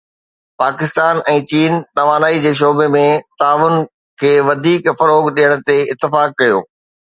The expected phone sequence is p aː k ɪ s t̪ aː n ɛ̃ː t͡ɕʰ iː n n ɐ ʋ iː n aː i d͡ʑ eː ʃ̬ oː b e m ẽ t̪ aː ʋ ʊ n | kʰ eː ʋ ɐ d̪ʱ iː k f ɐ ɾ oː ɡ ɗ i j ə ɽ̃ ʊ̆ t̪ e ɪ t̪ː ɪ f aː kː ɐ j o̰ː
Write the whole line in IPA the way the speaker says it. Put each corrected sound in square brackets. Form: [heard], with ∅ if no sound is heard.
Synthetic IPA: p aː k ɪ s t̪ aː n ɛ̃ː [t͡ɕ] iː n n ɐ ʋ [aː] n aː i d͡ʑ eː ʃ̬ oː b e m ẽ t̪ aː ʋ ʊ n | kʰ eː ʋ ɐ d̪ʱ iː k f ɐ ɾ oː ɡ ɗ i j ə ɽ̃ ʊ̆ t̪ e ɪ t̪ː ɪ f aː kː ɐ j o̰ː